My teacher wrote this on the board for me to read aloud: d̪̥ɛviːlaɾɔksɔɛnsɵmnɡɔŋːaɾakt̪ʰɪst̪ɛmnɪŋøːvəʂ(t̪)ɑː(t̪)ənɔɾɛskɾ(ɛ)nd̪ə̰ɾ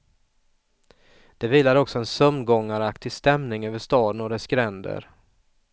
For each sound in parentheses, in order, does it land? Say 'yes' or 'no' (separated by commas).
yes, no, yes